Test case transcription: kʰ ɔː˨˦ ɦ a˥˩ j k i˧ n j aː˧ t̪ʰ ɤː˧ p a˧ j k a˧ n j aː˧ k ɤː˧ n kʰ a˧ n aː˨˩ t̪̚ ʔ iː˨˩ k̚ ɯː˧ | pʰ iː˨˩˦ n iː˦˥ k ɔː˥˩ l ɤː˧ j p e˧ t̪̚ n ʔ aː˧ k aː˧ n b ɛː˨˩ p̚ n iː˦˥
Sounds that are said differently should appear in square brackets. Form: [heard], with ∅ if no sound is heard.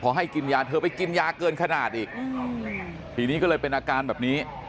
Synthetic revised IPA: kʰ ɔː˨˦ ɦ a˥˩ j k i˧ n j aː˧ t̪ʰ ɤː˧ p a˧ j k [i˧] n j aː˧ k ɤː˧ n kʰ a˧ n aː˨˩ t̪̚ ʔ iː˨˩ k̚ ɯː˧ | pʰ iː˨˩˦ n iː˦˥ k [ɔ˥˩] l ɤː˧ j p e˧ [∅] n ʔ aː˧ k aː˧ n b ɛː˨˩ p̚ n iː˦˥

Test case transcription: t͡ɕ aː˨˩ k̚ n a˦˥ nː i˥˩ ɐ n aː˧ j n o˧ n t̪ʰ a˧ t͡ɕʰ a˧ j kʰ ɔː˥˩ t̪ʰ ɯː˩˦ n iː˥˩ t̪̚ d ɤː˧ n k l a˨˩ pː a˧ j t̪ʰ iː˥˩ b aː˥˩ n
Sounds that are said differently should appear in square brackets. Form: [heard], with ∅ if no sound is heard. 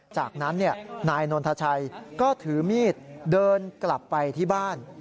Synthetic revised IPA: t͡ɕ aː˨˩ k̚ n a˦˥ nː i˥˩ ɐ n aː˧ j n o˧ n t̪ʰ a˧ t͡ɕʰ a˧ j [k] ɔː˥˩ t̪ʰ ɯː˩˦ [m] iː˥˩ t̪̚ d ɤː˧ n k l a˨˩ pː a˧ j t̪ʰ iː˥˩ b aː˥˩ n

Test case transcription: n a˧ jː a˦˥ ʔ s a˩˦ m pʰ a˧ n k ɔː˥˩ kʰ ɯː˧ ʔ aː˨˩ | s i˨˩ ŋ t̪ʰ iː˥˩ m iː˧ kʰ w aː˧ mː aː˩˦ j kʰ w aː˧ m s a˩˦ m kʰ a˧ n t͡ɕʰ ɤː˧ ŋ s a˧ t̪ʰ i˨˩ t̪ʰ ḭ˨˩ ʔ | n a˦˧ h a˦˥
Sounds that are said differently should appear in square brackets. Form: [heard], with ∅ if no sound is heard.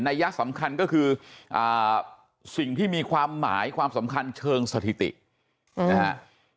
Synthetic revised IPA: n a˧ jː a˦˥ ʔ s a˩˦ m [kʰ] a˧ n k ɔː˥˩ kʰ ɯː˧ ʔ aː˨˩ | s i˨˩ ŋ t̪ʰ iː˥˩ m iː˧ kʰ w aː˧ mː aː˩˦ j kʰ w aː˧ m s a˩˦ m kʰ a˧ n t͡ɕʰ ɤː˧ ŋ s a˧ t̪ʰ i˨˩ [t̪] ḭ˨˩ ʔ | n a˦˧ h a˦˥

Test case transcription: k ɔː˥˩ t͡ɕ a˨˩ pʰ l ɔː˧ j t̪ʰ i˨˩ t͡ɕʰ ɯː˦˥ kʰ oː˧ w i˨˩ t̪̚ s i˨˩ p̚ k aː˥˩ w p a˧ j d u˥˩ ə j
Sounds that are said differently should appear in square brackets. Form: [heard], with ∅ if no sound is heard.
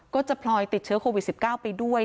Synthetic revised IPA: k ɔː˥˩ t͡ɕ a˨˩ pʰ l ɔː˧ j [t̪] i˨˩ t͡ɕʰ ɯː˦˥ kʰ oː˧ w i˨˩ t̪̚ s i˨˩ p̚ k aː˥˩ w p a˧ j d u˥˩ ə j

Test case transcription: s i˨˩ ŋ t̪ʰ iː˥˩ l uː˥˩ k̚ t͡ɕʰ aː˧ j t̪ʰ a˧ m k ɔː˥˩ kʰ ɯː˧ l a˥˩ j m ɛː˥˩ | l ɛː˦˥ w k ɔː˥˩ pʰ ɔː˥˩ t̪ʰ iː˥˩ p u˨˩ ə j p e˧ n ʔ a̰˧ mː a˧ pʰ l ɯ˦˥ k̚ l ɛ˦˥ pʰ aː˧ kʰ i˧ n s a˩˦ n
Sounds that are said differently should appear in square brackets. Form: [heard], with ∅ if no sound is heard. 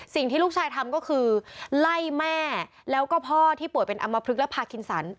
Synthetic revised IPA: s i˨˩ ŋ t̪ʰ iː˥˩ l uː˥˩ k̚ t͡ɕʰ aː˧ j t̪ʰ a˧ m k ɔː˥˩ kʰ ɯː˧ l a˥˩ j m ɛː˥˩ | l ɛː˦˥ w k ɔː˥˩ pʰ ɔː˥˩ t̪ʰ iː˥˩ p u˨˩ ə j p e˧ n ʔ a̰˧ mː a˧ pʰ [ɾ] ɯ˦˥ k̚ l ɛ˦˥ pʰ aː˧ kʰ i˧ n s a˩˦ n

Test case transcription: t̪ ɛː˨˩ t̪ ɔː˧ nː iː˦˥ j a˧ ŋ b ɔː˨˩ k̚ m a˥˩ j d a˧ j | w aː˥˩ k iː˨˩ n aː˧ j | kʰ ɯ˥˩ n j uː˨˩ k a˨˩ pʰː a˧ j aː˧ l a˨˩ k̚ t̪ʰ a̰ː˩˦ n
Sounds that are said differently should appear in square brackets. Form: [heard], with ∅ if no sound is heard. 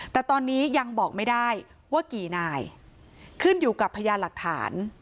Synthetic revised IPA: t̪ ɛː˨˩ t̪ ɔː˧ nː iː˦˥ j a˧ ŋ b ɔː˨˩ k̚ m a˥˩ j d [a˥˩] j | w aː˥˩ k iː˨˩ n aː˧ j | kʰ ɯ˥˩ n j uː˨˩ k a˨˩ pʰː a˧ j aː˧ l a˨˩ k̚ t̪ʰ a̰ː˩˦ n

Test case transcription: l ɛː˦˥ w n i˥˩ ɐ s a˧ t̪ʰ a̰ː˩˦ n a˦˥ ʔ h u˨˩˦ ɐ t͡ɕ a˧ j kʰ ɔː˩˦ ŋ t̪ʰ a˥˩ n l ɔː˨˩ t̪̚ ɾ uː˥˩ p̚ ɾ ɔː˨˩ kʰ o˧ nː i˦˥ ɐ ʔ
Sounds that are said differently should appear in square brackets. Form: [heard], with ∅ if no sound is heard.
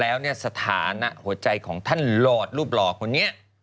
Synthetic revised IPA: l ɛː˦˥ w n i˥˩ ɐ s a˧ t̪ʰ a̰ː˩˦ n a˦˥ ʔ h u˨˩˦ ɐ t͡ɕ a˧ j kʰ ɔː˩˦ ŋ t̪ʰ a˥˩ n l ɔː˨˩ t̪̚ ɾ uː˥˩ p̚ [l] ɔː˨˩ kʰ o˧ nː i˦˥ ɐ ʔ

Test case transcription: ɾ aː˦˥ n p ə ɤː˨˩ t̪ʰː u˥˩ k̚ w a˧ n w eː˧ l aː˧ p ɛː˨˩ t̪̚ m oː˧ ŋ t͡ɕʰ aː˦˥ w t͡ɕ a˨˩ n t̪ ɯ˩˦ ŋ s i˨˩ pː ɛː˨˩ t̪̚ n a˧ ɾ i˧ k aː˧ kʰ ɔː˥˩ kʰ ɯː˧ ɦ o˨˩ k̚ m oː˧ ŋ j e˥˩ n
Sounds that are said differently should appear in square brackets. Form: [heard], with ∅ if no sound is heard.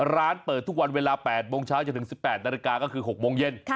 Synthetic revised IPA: ɾ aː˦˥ n p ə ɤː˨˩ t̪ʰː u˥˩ k̚ w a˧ n w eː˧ l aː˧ p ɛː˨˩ t̪̚ m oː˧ ŋ t͡ɕʰ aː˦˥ w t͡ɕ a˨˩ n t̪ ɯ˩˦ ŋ s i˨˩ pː ɛː˨˩ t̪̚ n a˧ ɾ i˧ k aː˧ [k] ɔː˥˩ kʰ ɯː˧ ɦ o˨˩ k̚ m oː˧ ŋ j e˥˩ n

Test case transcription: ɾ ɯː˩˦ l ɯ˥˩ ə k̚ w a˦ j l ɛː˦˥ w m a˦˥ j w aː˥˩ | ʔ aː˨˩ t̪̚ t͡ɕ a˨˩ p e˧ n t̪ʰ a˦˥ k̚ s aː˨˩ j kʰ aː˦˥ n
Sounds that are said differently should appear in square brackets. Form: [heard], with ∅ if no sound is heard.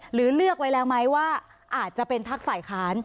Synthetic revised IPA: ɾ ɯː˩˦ l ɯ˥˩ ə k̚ w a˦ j l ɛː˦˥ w m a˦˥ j w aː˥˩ | ʔ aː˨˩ t̪̚ t͡ɕ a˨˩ p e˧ n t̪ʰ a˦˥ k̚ [f] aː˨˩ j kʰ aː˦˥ n

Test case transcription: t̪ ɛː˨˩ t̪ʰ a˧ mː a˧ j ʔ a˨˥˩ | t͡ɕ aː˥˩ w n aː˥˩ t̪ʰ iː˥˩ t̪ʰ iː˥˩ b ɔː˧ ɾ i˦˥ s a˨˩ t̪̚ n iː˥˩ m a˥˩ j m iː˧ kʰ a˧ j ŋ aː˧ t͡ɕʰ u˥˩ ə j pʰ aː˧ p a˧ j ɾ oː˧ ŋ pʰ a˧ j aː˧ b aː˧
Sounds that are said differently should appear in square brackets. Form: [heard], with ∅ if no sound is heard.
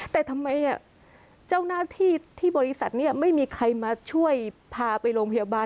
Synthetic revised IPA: t̪ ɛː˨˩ t̪ʰ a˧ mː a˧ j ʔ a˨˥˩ | t͡ɕ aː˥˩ w n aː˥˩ t̪ʰ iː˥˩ t̪ʰ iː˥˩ b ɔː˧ ɾ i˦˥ s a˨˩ t̪̚ n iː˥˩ m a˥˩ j m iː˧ kʰ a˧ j [m] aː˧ t͡ɕʰ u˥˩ ə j pʰ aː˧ p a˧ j ɾ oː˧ ŋ pʰ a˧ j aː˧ b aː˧

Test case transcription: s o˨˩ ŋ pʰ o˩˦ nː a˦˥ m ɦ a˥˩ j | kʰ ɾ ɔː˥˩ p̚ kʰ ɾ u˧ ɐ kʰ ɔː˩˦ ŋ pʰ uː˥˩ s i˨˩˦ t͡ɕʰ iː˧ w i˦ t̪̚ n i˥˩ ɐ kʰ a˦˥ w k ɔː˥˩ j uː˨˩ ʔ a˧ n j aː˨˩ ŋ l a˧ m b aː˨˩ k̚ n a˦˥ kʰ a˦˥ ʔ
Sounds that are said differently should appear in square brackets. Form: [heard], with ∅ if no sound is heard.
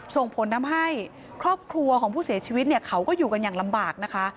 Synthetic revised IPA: s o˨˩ ŋ pʰ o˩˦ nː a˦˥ m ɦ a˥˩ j | kʰ ɾ ɔː˥˩ p̚ kʰ ɾ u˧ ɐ kʰ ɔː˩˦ ŋ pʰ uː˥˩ s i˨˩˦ t͡ɕʰ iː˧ w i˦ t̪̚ n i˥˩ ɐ kʰ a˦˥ w k ɔː˥˩ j uː˨˩ [k] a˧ n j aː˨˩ ŋ l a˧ m b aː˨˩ k̚ n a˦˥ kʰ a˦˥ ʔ

